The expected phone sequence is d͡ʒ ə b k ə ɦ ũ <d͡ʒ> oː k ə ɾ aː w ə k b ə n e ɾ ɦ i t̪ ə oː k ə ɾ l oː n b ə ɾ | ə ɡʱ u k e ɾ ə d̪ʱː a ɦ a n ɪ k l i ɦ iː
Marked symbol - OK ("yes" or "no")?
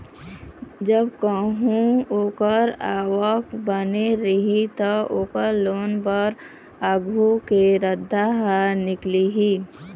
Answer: no